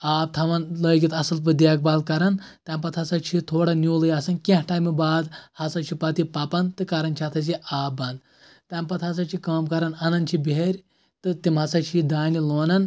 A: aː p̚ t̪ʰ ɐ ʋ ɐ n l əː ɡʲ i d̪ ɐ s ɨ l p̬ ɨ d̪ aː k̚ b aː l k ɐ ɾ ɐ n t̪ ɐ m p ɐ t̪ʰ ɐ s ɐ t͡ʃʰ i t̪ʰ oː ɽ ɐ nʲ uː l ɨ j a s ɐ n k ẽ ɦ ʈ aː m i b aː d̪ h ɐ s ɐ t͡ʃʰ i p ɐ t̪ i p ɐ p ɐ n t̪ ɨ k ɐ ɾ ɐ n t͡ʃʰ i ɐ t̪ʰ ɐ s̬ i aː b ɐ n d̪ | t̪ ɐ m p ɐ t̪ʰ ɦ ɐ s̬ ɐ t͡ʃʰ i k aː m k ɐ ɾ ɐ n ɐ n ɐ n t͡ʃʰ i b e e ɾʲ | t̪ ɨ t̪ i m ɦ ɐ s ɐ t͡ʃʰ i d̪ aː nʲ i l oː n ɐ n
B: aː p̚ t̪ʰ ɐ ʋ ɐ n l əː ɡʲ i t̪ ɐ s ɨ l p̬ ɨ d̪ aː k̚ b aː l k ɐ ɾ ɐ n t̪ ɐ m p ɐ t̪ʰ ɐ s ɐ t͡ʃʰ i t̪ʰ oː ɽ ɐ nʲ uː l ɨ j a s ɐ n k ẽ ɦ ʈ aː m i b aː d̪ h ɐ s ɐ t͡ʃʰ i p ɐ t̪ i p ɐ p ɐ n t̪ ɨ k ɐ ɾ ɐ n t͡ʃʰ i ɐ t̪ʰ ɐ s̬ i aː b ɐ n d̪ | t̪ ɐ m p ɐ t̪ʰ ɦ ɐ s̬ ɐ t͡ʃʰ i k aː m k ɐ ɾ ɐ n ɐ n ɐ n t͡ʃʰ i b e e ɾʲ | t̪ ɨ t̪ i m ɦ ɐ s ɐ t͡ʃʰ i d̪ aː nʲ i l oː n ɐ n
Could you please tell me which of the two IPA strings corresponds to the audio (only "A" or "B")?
B